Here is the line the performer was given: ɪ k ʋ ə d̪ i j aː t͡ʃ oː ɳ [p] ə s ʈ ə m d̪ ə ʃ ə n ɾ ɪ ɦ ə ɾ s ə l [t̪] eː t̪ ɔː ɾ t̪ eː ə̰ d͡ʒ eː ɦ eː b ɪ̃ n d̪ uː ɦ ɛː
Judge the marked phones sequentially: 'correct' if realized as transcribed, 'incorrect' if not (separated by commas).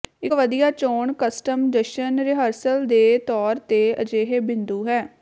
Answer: incorrect, incorrect